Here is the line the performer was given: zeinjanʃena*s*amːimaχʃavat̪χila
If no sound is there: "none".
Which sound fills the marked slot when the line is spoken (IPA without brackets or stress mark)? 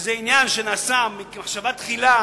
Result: s